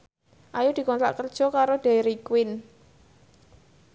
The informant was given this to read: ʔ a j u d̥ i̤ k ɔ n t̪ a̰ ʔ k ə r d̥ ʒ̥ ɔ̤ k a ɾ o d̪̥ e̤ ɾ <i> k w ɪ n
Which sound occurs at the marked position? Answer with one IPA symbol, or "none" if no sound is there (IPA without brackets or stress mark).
i